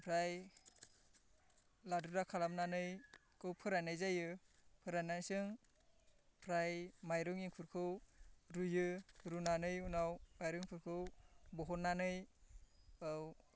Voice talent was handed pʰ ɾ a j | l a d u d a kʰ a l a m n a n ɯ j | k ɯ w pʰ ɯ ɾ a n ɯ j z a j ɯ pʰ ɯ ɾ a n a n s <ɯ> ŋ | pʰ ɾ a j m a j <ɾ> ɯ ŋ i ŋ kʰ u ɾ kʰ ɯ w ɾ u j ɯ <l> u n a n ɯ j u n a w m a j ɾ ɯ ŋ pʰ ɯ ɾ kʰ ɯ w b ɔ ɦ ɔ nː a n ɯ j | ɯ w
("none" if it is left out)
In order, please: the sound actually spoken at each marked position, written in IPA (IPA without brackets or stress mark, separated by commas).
ɯ, ɾ, ɾ